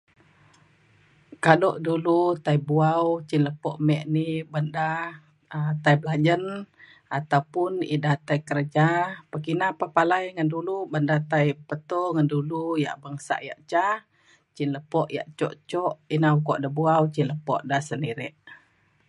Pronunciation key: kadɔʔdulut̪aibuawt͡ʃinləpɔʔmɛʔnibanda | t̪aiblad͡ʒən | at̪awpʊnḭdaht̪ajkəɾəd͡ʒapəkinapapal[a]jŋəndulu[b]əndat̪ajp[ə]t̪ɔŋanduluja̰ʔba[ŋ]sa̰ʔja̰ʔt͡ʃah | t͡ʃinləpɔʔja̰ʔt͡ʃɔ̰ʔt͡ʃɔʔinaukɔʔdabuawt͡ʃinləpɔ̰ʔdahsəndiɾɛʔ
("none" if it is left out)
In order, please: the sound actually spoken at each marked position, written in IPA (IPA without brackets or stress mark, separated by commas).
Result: a, b, ə, ŋ